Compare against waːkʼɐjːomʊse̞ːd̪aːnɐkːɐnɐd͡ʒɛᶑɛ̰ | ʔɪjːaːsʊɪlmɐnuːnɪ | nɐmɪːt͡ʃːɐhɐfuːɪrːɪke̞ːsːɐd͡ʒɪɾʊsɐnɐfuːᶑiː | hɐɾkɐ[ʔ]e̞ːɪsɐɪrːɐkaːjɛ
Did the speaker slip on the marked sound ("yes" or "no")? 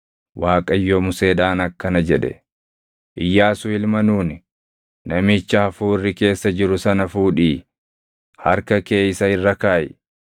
yes